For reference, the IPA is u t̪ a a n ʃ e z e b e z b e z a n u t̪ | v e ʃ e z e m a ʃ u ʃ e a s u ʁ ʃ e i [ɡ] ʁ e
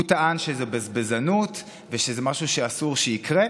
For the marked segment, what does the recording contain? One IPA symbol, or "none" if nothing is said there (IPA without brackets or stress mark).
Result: k